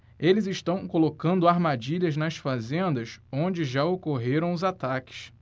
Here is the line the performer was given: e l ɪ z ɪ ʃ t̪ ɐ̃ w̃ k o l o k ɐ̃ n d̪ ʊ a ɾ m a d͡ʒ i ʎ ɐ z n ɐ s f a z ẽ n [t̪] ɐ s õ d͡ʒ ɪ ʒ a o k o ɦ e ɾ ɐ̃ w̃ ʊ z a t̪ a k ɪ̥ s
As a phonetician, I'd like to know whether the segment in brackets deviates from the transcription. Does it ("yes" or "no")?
yes